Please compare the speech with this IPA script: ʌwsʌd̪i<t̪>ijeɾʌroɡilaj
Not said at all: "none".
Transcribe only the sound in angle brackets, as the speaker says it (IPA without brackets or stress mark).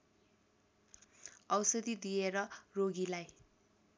d̪